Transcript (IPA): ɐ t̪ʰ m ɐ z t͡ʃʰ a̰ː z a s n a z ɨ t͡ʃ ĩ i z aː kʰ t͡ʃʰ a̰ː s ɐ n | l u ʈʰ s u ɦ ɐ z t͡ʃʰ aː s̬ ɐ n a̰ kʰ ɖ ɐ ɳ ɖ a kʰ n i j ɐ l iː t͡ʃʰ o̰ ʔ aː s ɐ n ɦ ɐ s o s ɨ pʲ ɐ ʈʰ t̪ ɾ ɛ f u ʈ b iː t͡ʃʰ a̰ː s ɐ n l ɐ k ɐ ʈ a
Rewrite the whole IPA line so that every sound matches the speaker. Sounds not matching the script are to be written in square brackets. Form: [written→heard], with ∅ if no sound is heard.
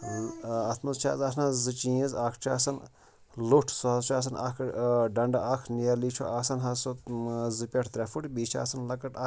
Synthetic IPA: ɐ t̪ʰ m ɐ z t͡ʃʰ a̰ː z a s n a z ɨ t͡ʃ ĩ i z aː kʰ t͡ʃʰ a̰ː s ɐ n | l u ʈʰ s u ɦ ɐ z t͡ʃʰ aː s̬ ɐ n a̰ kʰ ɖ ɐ ɳ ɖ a kʰ n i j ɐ l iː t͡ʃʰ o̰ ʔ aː s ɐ n ɦ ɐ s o [s→z] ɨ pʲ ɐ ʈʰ t̪ ɾ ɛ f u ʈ b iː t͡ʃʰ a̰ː s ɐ n l ɐ k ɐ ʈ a

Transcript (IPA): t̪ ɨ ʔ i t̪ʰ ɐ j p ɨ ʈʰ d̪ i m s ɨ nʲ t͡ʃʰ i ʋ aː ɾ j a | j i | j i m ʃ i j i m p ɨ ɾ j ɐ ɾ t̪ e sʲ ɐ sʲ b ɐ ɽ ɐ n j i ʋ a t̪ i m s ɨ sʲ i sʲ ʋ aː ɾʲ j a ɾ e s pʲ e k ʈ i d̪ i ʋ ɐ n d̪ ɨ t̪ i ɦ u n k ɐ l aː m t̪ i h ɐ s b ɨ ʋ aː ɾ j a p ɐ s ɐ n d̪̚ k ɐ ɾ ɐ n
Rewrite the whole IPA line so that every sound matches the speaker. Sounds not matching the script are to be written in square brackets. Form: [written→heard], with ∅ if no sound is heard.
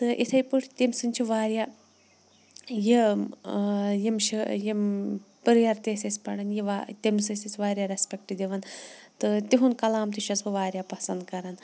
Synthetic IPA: t̪ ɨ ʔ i t̪ʰ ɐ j p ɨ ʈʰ [d̪→t̪] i m s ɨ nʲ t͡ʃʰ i ʋ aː ɾ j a | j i | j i m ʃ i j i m p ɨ ɾ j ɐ ɾ t̪ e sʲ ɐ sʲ [b→p] ɐ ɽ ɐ n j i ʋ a t̪ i m s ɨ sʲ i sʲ ʋ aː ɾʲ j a ɾ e s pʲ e k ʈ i d̪ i ʋ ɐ n [d̪→t̪] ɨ t̪ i ɦ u n k ɐ l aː m t̪ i [h→ʃ] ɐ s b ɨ ʋ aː ɾ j a p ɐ s ɐ n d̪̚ k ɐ ɾ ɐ n

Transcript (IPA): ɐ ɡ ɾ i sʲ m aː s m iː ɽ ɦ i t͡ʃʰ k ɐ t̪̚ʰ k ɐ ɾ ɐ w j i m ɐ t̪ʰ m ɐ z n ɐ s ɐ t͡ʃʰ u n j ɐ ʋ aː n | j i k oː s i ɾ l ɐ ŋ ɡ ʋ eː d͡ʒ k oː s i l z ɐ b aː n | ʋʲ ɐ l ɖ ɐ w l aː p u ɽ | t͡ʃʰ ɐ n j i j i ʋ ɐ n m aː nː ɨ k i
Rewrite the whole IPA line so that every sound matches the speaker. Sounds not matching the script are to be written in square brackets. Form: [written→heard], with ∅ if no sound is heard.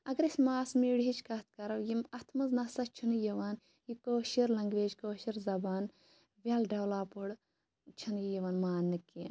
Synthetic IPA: ɐ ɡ ɾ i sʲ m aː s m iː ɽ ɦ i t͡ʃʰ k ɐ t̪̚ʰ k ɐ ɾ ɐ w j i m ɐ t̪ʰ m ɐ z n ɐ s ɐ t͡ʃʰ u n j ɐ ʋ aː n | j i k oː [s→ʃ] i ɾ l ɐ ŋ ɡ ʋ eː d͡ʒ k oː [s→ʃ] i [l→ɾ] z ɐ b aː n | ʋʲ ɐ l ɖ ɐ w l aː p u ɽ | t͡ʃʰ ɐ n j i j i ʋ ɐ n m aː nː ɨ k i

